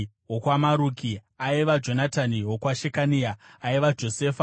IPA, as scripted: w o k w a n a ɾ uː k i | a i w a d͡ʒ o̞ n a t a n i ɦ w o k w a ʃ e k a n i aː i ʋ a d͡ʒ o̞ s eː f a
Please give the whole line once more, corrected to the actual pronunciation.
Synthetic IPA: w o k w a m a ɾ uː k i | a i ʋ a d͡ʒ o̞ n a t a n i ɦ w o k w a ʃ e k a n i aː i ʋ a d͡ʒ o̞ s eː f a